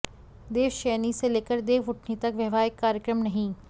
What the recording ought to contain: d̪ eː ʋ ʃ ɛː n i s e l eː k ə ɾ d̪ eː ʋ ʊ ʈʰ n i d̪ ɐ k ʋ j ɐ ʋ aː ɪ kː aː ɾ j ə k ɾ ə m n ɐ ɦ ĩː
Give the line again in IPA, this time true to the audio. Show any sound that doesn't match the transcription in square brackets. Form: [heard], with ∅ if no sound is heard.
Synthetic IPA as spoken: d̪ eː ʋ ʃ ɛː n i s e l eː k ə ɾ d̪ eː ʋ ʊ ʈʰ n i [t̪] ɐ k ʋ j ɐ ʋ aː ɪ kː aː ɾ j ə k ɾ ə m n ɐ ɦ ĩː

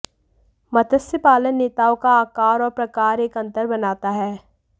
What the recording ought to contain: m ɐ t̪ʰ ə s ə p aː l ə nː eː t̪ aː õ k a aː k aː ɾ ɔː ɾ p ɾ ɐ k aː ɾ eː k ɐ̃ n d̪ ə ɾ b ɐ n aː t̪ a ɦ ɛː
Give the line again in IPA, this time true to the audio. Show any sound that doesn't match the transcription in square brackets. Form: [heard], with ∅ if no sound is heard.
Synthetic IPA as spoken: m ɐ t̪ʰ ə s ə p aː l ə nː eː t̪ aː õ k a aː k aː ɾ ɔː ɾ p ɾ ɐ k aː ɾ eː k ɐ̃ n [t̪] ə ɾ b ɐ n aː t̪ a ɦ ɛː

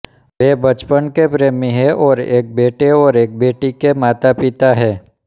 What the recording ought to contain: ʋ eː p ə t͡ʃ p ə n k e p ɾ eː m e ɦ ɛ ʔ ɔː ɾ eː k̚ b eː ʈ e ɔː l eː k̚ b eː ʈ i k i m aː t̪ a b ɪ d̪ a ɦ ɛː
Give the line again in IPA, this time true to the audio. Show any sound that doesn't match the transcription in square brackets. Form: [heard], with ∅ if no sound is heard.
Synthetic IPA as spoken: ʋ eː [b] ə t͡ʃ p ə n k e p ɾ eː m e ɦ ɛ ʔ ɔː ɾ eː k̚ b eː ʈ e ɔː [ɾ] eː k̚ b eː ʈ i k [e] m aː t̪ a [p] ɪ [t̪] a ɦ ɛː

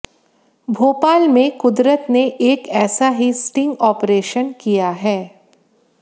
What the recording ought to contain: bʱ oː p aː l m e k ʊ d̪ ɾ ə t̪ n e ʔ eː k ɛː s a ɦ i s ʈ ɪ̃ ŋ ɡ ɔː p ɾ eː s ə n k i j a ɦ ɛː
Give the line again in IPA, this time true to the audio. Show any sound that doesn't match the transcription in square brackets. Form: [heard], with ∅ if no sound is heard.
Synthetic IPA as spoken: bʱ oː p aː l m [ẽ] k ʊ d̪ ɾ ə t̪ n e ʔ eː k ɛː s a ɦ i s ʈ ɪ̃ ŋ ɡ ɔː p ɾ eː [ʃ] ə n k i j a ɦ ɛː

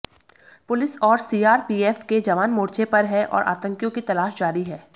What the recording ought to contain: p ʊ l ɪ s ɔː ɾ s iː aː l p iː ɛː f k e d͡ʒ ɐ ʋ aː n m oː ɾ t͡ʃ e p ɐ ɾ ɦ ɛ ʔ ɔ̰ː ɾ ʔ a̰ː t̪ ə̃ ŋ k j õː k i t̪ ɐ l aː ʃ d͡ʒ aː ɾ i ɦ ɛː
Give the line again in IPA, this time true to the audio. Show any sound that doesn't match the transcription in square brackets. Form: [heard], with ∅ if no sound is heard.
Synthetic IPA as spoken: p ʊ l ɪ s ɔː ɾ s iː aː [ɾ] p iː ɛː f k e d͡ʒ ɐ ʋ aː n m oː ɾ t͡ʃ e p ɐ ɾ ɦ ɛ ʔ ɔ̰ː ɾ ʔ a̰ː t̪ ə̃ ŋ k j [õ] k i t̪ ɐ l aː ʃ d͡ʒ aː ɾ i ɦ ɛː

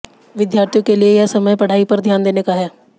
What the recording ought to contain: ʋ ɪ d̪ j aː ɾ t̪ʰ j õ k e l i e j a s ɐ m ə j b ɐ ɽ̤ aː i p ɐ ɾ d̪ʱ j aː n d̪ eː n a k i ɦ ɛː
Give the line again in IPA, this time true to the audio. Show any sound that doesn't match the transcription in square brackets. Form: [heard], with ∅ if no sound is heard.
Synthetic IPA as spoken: ʋ ɪ d̪ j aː ɾ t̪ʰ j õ k e l i e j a s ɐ m ə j [p] ɐ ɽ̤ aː i p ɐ ɾ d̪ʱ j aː n d̪ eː n [e] k [a] ɦ ɛː

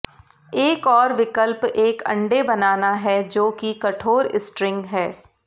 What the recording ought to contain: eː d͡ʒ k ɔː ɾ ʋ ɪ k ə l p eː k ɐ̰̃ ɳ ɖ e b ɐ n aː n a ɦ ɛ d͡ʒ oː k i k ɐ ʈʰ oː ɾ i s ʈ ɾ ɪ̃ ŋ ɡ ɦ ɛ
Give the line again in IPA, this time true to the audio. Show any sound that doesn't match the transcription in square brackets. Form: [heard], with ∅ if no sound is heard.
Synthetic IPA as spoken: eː [∅] k ɔː ɾ ʋ ɪ k ə l p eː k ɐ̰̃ ɳ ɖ e b ɐ n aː n a ɦ ɛ d͡ʒ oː k i k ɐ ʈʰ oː ɾ [ɪ] s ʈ ɾ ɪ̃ ŋ ɡ ɦ [ɛː]

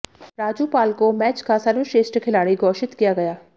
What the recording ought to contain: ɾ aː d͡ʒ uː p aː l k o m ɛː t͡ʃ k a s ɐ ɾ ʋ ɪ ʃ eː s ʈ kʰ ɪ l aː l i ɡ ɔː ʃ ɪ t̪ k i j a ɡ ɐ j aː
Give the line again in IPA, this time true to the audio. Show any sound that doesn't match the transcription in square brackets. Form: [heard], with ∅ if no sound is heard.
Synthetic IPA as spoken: ɾ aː d͡ʒ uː p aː l k o m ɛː t͡ʃ k a s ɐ ɾ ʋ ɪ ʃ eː s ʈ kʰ ɪ l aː [ɽ] i ɡ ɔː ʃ ɪ t̪ k i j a ɡ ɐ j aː

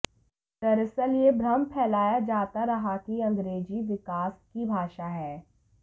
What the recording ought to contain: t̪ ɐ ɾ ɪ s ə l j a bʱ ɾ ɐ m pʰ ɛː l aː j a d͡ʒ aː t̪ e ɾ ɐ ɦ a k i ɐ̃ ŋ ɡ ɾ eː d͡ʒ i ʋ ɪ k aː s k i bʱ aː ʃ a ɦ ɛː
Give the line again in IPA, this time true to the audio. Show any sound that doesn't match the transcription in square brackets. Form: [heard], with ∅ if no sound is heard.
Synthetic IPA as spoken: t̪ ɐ ɾ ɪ s ə l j [e] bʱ ɾ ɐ m pʰ ɛː l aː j a d͡ʒ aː t̪ [a] ɾ ɐ ɦ a k i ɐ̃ ŋ ɡ ɾ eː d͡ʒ i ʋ ɪ k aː s k i bʱ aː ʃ a ɦ ɛː

